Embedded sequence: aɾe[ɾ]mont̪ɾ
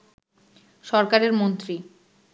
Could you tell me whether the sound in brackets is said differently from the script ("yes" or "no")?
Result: no